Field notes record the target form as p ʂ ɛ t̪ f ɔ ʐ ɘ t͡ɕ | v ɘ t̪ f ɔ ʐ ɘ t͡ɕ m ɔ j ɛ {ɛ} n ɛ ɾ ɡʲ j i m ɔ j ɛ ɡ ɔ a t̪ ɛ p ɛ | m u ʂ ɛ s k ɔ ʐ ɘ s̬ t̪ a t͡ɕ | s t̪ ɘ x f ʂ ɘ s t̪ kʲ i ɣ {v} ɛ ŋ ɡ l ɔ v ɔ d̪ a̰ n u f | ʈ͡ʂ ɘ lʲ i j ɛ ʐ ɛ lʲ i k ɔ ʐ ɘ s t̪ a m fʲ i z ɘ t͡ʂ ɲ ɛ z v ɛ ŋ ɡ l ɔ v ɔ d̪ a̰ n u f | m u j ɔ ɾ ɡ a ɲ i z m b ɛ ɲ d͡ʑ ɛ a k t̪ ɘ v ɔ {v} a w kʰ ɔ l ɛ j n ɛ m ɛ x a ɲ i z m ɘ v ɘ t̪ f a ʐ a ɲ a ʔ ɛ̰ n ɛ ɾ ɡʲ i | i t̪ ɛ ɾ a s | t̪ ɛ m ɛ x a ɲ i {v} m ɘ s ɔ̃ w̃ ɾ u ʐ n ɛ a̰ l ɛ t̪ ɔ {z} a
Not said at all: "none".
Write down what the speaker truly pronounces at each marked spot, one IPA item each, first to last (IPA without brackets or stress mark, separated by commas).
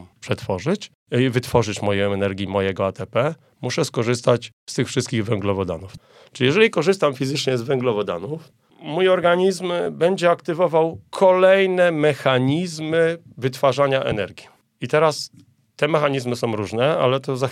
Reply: ɛ, v, v, z, z